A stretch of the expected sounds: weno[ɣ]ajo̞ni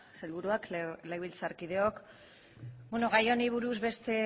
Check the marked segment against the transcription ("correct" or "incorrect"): correct